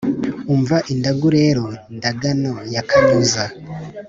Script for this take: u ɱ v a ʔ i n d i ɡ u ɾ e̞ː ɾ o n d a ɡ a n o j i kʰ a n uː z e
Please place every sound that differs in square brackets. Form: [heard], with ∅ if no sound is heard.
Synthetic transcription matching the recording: u ɱ v a ʔ i n d [a] ɡ u ɾ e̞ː ɾ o n d a ɡ a n o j [a] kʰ a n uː z [a]